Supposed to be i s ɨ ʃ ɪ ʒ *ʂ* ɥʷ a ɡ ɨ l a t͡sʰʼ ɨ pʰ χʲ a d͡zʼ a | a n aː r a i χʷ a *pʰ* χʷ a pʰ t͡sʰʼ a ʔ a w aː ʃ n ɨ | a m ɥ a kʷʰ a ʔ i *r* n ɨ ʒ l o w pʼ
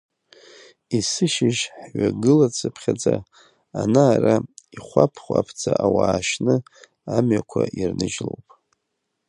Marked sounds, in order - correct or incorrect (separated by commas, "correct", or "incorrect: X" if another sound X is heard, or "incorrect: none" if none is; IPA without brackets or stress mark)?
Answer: incorrect: ħ, correct, correct